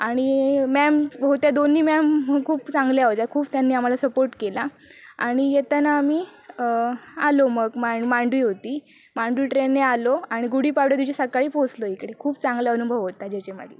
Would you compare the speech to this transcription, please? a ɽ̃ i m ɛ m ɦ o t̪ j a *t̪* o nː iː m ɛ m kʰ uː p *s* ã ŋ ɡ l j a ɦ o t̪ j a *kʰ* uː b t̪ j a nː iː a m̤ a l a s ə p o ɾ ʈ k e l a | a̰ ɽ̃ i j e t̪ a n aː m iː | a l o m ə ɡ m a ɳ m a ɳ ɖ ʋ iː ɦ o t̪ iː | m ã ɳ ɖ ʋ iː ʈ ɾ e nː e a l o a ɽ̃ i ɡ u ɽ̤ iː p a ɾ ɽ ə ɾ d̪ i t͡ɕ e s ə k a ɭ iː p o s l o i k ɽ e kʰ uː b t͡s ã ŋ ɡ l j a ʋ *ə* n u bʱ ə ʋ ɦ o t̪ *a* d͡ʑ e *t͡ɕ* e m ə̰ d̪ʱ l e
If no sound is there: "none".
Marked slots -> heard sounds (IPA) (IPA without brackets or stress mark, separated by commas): d̪, t͡s, kʰ, ə, a, t͡ɕ